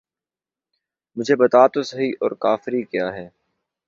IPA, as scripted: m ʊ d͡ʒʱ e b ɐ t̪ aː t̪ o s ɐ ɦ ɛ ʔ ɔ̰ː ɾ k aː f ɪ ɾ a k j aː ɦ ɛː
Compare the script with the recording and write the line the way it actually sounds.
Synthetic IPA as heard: m ʊ d͡ʒʱ e b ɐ t̪ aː t̪ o s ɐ ɦ i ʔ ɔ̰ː ɾ k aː f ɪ ɾ i k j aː ɦ ɛː